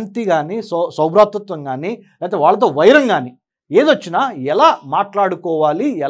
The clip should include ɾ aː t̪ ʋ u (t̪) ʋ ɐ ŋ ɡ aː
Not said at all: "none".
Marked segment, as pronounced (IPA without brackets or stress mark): t̪